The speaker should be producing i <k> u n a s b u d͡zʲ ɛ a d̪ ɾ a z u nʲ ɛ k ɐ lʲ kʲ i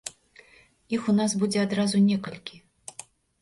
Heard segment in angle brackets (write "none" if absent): x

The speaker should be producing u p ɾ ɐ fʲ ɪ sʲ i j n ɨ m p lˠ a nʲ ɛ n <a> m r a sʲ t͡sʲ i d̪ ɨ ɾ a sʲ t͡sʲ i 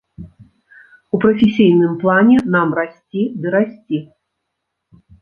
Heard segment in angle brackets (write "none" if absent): a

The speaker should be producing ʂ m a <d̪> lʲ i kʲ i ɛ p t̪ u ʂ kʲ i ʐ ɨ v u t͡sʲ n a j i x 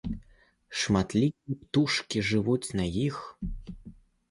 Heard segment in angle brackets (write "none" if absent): t̪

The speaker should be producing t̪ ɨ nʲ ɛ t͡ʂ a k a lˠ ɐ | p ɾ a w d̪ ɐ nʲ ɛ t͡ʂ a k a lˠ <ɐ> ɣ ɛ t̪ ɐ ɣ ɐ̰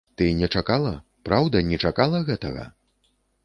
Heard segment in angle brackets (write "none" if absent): ɐ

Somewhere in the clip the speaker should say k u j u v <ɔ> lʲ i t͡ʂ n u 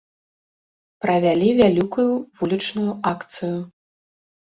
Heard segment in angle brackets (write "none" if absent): u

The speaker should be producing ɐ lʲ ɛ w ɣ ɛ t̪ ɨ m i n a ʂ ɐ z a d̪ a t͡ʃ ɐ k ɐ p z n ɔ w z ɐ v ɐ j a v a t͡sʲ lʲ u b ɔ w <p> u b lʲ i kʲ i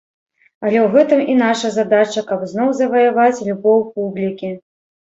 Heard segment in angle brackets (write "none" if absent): p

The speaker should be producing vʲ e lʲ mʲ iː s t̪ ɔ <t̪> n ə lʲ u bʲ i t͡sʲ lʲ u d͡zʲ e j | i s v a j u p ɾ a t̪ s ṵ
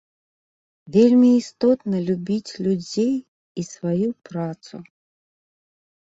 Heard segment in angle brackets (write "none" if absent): t̪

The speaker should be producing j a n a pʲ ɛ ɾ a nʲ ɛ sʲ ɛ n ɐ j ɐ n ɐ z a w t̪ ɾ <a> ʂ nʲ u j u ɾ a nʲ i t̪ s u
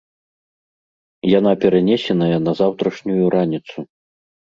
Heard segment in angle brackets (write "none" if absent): ɐ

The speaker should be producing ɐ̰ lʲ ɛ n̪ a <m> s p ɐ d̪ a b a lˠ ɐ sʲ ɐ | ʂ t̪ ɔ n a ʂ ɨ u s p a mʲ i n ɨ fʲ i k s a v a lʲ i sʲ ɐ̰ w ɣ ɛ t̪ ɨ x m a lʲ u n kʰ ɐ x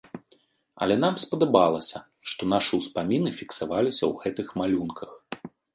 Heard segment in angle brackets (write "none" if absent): m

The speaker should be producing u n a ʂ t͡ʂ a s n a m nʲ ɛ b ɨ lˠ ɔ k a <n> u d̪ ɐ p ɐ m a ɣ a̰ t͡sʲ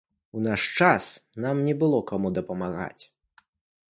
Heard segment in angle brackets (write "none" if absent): m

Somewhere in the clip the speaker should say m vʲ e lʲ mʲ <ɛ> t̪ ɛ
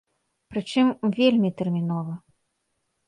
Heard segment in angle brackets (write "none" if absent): i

